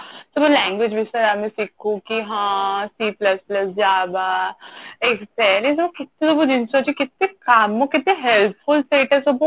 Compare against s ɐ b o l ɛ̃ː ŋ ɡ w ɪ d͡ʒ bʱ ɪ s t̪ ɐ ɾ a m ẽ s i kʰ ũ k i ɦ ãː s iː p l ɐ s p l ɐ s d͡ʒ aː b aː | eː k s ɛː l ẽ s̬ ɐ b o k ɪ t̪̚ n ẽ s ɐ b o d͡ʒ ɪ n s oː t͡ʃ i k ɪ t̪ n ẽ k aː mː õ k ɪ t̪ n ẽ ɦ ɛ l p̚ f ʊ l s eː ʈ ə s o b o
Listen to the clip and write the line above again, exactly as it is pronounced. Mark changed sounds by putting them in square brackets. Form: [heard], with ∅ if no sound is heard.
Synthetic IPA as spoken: s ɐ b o l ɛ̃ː ŋ ɡ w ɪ d͡ʒ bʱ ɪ s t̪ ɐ ɾ a m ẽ s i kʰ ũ k i ɦ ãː s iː p l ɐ s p l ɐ s d͡ʒ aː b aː | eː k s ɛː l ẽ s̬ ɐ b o k ɪ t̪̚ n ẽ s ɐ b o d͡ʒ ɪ n s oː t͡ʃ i k ɪ t̪ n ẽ k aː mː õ k ɪ t̪ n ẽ ɦ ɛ l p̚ f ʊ l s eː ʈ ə s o b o